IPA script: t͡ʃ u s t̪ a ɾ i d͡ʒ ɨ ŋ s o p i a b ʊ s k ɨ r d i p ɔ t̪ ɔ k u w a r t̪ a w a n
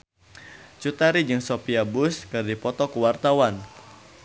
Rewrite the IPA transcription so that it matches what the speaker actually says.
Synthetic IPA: t͡ʃ u t̪ a ɾ i d͡ʒ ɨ ŋ s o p i a b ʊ s k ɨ r d i p ɔ t̪ ɔ k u w a r t̪ a w a n